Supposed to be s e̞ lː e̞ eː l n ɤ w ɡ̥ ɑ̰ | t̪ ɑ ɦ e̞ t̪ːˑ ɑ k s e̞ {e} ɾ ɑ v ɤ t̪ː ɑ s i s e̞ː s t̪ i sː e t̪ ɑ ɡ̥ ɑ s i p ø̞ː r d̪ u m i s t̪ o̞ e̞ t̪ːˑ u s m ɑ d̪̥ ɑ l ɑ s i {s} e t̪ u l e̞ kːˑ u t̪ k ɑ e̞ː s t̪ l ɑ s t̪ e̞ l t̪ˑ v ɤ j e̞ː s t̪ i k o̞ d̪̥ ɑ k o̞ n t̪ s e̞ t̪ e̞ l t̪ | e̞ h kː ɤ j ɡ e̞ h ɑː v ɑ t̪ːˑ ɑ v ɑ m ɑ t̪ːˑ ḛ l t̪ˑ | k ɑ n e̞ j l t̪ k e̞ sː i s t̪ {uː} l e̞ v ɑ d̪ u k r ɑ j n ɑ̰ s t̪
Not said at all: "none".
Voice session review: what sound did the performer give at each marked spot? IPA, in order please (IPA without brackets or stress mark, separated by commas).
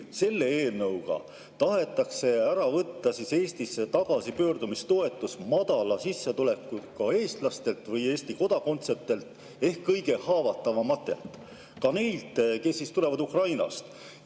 æ, sː, u